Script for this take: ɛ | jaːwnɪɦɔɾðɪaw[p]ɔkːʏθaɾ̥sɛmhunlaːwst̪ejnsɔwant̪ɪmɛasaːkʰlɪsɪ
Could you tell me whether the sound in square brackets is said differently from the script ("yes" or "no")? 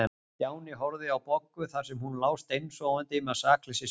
no